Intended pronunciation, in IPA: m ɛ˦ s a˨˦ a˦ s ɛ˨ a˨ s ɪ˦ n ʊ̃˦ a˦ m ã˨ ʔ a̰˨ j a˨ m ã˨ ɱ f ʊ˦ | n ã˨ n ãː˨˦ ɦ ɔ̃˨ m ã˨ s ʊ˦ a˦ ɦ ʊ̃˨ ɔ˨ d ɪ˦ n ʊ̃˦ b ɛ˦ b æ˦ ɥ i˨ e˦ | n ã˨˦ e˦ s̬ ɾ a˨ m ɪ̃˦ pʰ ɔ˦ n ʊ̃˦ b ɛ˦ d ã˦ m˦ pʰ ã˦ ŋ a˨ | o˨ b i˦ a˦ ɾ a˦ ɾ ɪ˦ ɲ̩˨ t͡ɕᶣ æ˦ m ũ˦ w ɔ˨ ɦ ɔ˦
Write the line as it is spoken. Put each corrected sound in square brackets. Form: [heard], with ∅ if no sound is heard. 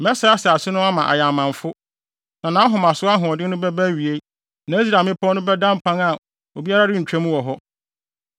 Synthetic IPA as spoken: m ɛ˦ s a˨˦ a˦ s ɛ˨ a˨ s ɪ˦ n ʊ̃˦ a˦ m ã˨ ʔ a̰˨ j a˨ m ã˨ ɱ f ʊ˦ | n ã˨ n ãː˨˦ ɦ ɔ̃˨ m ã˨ s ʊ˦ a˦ ɦ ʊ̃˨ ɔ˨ d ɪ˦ n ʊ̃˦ b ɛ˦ b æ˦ ɥ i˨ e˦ | n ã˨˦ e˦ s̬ ɾ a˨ m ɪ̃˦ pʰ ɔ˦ n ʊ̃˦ b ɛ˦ d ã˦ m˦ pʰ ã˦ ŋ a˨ | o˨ b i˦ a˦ ɾ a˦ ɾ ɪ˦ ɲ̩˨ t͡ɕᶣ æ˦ m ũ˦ w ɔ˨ ɦ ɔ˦